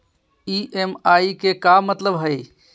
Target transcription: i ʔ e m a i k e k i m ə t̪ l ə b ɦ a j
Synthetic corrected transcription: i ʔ e m a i k e k a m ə t̪ l ə b ɦ ə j